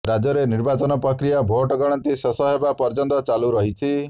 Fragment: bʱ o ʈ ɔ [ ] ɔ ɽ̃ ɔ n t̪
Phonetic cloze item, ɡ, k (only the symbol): ɡ